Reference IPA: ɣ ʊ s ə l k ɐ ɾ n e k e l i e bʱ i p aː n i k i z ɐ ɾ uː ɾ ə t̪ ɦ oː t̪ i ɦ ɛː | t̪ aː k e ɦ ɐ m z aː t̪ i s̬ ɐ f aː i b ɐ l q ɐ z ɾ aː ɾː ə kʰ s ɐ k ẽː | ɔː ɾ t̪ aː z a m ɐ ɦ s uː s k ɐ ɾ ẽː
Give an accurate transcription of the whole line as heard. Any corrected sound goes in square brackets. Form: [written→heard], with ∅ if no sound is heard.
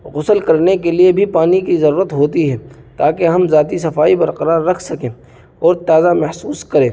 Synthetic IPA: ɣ ʊ s ə l k ɐ ɾ n e k e l i e bʱ i p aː n i k i z ɐ ɾ uː ɾ ə t̪ ɦ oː t̪ i ɦ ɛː | t̪ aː k e ɦ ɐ m z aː t̪ i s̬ ɐ f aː i b ɐ [l→ɾ] q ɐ [z→∅] ɾ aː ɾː [ə→ɐ] kʰ s ɐ k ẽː | ɔː ɾ t̪ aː z a m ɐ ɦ s uː s k ɐ ɾ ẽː